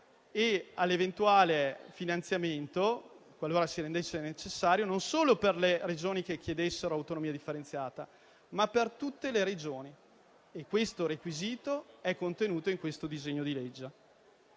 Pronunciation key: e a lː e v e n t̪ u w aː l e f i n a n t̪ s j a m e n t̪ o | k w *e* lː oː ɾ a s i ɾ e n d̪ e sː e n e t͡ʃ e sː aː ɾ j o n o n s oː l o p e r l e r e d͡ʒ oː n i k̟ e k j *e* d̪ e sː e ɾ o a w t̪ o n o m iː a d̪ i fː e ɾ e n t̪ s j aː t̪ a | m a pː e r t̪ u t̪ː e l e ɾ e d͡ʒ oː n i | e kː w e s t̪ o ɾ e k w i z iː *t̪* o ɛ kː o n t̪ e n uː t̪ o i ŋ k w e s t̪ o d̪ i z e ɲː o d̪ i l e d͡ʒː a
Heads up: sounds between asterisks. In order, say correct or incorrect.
incorrect, correct, correct

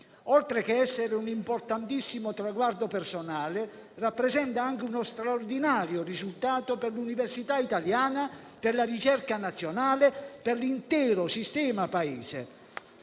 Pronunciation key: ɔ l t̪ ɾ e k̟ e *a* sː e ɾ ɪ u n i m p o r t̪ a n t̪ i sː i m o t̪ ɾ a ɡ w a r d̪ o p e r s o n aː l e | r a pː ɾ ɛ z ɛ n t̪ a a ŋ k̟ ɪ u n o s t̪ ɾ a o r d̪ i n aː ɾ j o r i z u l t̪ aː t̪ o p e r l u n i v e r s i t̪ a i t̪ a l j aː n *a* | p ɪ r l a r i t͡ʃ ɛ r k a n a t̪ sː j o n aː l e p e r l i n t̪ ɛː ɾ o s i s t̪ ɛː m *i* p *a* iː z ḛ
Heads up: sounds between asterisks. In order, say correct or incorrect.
incorrect, correct, incorrect, correct

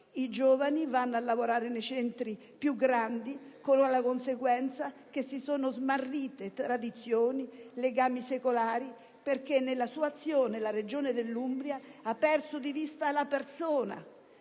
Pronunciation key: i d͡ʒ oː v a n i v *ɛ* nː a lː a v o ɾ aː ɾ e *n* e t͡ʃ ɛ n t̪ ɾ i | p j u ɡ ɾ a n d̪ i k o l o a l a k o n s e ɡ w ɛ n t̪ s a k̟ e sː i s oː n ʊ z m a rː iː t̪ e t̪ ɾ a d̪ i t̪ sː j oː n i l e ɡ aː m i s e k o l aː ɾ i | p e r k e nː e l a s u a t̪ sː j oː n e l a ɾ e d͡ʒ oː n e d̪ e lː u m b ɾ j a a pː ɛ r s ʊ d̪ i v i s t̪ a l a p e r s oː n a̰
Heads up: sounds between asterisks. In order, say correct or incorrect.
incorrect, correct

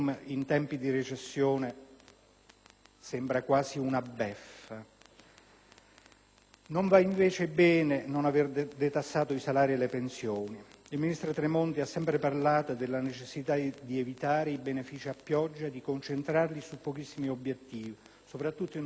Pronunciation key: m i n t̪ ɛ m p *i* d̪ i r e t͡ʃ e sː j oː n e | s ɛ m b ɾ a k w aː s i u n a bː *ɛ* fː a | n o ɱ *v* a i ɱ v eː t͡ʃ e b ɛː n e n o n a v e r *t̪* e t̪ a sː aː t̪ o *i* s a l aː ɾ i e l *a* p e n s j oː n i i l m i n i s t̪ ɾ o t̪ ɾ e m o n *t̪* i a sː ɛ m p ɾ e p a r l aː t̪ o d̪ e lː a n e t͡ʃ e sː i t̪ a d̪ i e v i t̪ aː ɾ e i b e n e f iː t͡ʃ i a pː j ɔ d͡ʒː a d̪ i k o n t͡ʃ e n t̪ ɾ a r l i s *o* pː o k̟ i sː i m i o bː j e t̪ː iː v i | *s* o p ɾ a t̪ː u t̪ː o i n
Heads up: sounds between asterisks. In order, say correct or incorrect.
correct, correct, correct, incorrect, correct, incorrect, correct, incorrect, correct

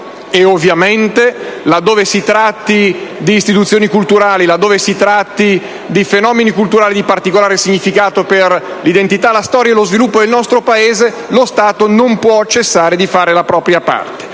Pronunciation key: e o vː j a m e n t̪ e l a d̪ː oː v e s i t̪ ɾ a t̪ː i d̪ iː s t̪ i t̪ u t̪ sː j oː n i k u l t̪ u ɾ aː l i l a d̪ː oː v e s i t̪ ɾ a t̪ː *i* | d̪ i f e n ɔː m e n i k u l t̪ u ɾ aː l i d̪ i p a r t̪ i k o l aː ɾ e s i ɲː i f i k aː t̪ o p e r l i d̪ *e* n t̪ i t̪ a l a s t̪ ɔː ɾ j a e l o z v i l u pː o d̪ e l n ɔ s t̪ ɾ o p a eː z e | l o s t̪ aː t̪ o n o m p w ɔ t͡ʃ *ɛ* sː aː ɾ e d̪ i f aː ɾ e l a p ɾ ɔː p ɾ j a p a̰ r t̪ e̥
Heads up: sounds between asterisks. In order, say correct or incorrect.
correct, correct, incorrect

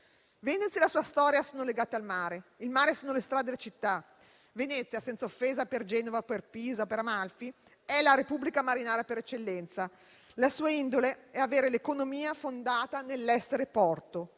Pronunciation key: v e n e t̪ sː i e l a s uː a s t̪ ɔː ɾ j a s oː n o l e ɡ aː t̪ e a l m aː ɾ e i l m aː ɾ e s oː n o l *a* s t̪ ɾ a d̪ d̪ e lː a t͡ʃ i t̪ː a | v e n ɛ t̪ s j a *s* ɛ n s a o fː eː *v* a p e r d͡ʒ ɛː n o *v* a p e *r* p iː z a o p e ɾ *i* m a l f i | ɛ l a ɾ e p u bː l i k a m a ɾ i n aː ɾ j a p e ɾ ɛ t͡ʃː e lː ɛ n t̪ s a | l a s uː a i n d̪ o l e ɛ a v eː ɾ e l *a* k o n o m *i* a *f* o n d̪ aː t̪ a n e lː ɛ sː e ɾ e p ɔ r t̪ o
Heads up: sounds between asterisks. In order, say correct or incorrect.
incorrect, correct, incorrect, correct, correct, incorrect, incorrect, incorrect, correct

